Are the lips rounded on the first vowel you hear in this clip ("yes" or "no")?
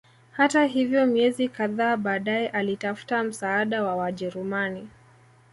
no